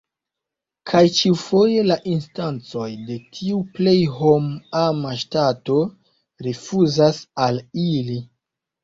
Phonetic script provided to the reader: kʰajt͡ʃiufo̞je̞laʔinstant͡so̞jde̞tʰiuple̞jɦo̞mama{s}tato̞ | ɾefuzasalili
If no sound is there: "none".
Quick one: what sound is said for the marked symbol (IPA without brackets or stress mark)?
ʃ